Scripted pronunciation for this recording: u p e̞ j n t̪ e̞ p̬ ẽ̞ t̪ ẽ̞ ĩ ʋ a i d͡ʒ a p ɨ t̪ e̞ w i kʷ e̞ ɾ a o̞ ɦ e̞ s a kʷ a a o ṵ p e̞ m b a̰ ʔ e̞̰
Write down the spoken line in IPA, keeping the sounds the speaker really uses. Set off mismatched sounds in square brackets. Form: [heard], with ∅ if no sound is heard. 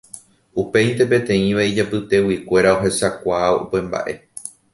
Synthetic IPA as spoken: u p e̞ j n t̪ e̞ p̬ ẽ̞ t̪ ẽ̞ ĩ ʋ a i d͡ʒ a p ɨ t̪ e̞ w i kʷ e̞ ɾ a o̞ ɦ e̞ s a kʷ a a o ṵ p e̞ m b a̰ ʔ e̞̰